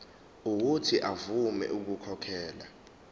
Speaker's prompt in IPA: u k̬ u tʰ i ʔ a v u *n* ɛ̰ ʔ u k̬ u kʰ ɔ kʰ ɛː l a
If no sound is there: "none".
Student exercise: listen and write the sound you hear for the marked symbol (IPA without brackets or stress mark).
m